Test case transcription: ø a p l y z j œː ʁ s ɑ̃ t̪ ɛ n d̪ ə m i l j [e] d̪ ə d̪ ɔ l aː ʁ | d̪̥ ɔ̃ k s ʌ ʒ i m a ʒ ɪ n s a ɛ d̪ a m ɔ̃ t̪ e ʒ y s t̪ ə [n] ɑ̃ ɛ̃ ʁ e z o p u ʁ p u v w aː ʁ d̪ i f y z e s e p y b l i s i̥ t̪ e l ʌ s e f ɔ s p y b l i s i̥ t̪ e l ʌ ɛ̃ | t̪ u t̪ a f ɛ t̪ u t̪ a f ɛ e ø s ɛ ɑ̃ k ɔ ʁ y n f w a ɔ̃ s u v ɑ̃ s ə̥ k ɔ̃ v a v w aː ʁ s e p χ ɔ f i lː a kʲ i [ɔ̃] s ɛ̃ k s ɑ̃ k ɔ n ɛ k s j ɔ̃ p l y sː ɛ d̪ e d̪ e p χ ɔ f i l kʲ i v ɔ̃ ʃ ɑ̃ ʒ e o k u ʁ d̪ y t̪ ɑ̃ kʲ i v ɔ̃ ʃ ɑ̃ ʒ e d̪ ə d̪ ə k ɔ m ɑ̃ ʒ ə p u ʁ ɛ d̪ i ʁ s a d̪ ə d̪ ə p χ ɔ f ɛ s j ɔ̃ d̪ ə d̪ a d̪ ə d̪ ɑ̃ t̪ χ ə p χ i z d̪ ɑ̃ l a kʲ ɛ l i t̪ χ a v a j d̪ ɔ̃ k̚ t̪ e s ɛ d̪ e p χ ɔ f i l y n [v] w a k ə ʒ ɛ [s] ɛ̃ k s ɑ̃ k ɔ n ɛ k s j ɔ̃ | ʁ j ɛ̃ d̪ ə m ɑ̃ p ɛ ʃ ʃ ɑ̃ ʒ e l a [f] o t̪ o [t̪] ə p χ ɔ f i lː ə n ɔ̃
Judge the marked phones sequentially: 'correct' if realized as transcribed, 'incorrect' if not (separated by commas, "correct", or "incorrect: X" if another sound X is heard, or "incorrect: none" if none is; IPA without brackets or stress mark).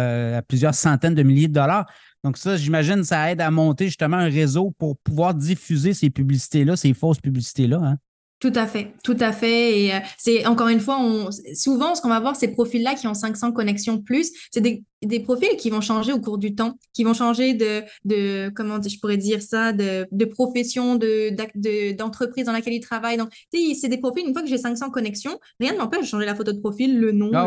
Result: correct, incorrect: m, correct, incorrect: f, correct, correct, incorrect: d̪